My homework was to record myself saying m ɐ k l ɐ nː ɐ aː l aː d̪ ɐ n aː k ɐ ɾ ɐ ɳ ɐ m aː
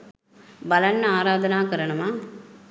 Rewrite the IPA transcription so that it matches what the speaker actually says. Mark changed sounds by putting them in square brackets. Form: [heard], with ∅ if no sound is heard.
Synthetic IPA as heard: [b] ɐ [∅] l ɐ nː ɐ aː [ɾ] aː d̪ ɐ n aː k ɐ ɾ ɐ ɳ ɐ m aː